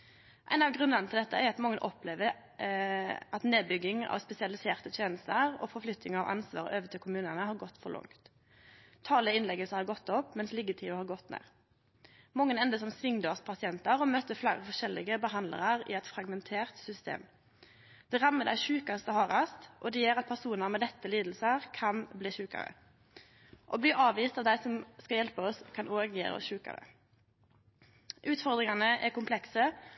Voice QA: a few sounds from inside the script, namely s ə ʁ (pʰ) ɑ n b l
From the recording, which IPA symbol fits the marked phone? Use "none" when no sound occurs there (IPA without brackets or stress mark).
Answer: kʰ